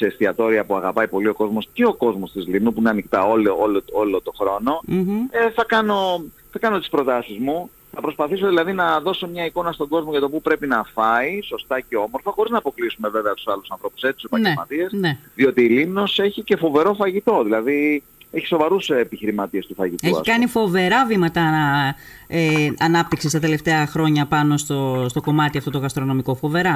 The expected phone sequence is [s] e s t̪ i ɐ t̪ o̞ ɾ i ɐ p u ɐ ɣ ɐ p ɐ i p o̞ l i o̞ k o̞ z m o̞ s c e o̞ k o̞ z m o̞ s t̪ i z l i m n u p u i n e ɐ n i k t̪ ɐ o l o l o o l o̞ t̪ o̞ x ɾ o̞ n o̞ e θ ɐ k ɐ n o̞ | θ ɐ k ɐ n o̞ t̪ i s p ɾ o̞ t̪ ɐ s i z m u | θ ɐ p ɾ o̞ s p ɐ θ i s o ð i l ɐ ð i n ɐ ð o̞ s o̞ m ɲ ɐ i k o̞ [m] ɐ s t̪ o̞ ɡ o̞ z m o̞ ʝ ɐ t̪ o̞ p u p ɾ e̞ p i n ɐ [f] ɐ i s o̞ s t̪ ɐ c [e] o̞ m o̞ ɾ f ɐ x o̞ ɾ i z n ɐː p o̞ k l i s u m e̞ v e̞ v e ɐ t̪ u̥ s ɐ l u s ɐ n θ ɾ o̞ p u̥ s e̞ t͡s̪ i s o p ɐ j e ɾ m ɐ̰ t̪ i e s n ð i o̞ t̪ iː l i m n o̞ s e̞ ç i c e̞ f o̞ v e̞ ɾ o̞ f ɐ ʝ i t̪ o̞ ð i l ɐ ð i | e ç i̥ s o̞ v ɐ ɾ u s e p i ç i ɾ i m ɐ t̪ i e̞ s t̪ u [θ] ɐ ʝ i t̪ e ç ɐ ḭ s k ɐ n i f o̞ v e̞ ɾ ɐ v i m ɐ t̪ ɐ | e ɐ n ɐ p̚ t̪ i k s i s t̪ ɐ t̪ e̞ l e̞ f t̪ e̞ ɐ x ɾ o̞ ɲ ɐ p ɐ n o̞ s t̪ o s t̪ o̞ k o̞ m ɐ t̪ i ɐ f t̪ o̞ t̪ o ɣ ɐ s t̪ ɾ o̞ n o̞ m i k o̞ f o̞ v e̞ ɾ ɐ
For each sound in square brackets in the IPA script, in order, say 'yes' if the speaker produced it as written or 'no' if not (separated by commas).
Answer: yes, no, yes, yes, no